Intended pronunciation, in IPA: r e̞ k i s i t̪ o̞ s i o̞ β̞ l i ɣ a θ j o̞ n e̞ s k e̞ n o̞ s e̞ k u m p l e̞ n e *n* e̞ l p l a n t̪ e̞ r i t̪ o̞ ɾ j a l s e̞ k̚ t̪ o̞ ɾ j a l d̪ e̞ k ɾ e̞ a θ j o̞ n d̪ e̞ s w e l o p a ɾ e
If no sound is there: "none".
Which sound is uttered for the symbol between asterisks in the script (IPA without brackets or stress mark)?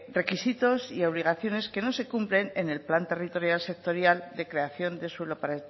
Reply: n